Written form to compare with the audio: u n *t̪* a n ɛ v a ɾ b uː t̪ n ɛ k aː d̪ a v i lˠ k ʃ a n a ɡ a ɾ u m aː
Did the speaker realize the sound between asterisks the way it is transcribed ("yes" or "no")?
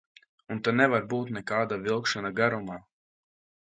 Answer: yes